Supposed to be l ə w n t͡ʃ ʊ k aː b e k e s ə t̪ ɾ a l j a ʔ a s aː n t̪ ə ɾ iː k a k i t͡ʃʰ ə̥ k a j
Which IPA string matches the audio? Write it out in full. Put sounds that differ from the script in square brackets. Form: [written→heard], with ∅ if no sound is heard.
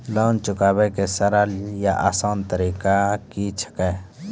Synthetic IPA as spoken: l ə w n t͡ʃ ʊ k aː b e k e s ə [t̪→∅] ɾ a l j a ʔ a s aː n t̪ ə ɾ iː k a k i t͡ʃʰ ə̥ k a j